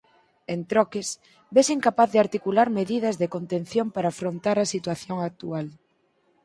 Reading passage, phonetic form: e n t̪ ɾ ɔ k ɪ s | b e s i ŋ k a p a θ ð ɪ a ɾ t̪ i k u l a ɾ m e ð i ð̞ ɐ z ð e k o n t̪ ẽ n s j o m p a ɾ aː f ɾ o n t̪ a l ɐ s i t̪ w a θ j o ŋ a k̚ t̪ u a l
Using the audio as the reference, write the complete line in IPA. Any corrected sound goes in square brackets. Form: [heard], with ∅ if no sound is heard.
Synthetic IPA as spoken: e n t̪ ɾ ɔ k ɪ s | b e s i ŋ k a p a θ ð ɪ a ɾ t̪ i k u l a ɾ m e ð i ð̞ ɐ z ð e k o n t̪ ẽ n [θ] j o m p a ɾ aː f ɾ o n t̪ a [ɾ] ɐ s i t̪ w a θ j o ŋ a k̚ t̪ u a l